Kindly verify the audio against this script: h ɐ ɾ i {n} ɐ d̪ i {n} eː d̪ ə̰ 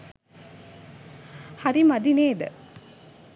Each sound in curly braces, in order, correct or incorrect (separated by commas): incorrect, correct